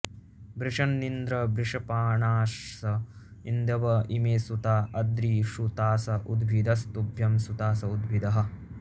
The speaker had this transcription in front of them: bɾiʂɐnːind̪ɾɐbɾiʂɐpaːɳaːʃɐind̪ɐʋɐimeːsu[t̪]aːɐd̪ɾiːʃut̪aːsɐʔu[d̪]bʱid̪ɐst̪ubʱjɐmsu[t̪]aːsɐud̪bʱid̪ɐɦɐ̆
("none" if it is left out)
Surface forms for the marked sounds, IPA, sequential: t̪, d̪, t̪

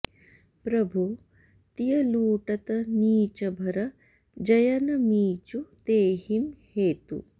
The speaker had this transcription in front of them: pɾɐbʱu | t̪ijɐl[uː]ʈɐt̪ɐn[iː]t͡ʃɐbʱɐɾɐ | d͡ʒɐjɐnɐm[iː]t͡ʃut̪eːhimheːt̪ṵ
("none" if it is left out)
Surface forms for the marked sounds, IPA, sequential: uː, iː, iː

